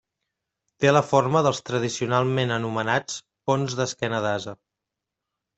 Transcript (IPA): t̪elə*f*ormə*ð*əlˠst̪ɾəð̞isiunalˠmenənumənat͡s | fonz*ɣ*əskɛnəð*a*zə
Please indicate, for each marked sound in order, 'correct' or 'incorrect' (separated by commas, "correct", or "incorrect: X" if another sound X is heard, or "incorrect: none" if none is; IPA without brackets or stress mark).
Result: correct, correct, incorrect: ð, correct